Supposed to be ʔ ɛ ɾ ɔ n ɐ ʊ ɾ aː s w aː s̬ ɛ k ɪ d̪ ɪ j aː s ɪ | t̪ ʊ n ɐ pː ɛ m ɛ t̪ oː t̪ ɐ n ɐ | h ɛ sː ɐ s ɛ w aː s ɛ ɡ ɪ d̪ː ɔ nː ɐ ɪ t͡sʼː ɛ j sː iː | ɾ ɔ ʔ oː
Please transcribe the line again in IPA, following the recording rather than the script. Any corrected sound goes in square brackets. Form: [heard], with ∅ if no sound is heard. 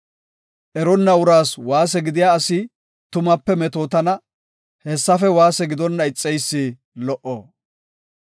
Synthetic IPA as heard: ʔ ɛ ɾ ɔ [nː] ɐ ʊ ɾ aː s w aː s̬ ɛ [ɡ] ɪ d̪ ɪ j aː s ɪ | t̪ ʊ [m] ɐ pː ɛ m ɛ t̪ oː t̪ ɐ n ɐ | h ɛ sː ɐ [f] ɛ w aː s ɛ ɡ ɪ [d̪] ɔ nː ɐ ɪ t͡sʼː ɛ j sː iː | [l] ɔ ʔ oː